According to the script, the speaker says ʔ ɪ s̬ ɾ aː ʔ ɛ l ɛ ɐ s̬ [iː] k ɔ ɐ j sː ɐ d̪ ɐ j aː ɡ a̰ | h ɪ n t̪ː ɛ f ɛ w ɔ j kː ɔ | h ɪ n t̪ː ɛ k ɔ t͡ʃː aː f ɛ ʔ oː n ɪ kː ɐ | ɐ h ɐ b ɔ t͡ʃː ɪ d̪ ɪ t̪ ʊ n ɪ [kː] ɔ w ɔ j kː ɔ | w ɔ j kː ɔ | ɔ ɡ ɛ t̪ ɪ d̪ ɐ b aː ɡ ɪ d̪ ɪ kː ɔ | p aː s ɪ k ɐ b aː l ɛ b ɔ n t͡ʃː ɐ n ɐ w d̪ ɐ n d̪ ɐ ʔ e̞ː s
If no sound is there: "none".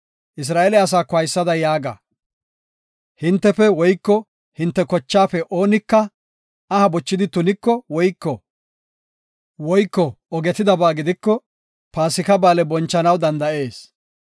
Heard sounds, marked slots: aː, kː

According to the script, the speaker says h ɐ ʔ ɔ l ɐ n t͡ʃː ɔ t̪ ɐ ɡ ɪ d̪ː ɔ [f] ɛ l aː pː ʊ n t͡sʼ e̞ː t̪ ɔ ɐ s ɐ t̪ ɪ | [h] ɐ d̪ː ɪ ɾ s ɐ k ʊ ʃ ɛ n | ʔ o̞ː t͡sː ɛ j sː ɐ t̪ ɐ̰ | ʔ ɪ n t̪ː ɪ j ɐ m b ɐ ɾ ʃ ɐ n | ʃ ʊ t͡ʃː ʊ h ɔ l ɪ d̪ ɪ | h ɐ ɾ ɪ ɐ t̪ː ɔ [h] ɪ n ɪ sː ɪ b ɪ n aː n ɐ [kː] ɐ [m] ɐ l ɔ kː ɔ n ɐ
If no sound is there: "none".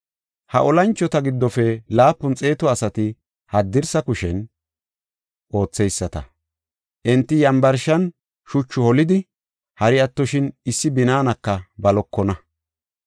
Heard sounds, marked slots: f, h, ʃ, kː, b

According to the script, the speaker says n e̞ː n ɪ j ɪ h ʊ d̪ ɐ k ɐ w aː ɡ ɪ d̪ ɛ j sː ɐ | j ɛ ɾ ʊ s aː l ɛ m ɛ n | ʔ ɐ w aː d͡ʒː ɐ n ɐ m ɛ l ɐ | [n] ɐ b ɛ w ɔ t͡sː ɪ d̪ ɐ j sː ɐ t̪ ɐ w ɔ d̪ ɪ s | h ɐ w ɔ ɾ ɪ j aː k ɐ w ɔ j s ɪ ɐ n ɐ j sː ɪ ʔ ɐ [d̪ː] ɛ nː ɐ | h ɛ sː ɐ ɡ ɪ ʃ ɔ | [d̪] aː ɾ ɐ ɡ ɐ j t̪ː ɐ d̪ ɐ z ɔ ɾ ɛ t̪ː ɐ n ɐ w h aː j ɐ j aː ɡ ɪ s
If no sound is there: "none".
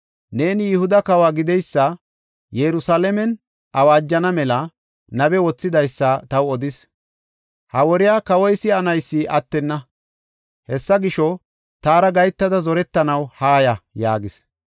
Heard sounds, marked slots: n, t̪ː, t̪

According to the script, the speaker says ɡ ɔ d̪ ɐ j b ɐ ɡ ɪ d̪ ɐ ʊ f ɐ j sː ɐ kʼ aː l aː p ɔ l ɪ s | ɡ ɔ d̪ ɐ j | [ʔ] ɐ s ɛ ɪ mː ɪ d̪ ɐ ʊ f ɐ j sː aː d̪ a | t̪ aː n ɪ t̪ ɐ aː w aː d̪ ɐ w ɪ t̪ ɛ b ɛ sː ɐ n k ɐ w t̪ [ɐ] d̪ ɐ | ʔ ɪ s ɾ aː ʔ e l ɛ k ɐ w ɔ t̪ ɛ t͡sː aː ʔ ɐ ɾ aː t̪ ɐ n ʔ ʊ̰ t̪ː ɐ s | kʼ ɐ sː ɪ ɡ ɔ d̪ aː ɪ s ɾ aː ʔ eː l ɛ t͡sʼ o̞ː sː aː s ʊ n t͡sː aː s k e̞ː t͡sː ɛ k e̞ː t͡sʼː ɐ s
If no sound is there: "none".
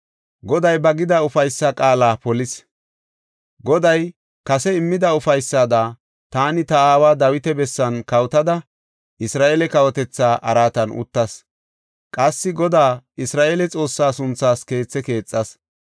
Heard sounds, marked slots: k, ɐ

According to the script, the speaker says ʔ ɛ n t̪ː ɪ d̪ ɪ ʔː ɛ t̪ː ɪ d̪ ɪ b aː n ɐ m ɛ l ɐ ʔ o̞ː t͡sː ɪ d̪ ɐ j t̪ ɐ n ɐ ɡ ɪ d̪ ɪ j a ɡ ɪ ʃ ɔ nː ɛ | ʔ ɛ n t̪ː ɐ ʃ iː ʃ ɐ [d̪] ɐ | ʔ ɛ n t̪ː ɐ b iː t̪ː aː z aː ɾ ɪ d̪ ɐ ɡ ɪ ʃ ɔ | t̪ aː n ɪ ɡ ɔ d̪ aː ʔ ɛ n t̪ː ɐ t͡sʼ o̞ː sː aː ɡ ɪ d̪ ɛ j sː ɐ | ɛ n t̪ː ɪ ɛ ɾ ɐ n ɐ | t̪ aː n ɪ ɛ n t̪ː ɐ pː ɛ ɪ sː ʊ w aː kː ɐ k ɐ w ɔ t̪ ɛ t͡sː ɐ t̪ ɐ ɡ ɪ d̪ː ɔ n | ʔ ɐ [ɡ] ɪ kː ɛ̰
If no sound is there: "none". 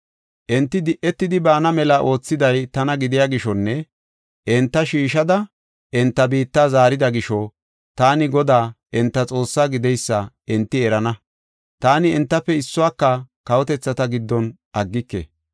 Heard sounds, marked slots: d̪, ɡː

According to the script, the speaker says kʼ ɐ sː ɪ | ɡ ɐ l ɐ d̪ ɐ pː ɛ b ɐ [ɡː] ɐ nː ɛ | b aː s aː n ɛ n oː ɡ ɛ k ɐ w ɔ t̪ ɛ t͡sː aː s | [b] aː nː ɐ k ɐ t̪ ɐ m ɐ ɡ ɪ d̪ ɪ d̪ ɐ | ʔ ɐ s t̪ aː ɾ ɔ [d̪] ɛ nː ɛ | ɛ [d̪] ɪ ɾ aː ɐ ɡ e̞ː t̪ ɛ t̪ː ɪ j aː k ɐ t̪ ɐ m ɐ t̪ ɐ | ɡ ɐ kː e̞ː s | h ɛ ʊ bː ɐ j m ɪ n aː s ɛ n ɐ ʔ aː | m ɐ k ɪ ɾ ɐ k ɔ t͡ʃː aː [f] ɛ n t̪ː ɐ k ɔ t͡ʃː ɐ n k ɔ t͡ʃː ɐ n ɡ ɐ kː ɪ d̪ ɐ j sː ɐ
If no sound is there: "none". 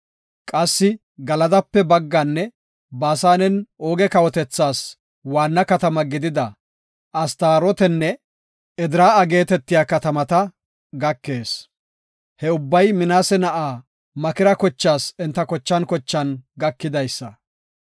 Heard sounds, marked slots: ɡː, w, t̪, d̪, s

